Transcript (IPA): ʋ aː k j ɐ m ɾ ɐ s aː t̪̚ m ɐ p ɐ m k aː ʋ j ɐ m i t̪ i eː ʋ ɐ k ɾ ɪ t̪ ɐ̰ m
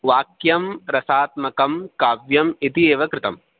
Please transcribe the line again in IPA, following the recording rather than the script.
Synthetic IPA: ʋ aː k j ɐ m ɾ ɐ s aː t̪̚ m ɐ k ɐ m k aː ʋ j ɐ m i t̪ i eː ʋ ɐ k ɾ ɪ t̪ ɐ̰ m